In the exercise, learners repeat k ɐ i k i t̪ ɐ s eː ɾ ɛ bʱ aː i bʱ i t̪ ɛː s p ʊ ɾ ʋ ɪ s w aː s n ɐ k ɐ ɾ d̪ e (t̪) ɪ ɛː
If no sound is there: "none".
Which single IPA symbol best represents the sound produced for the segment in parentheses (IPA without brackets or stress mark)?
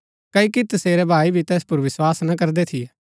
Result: t̪ʰ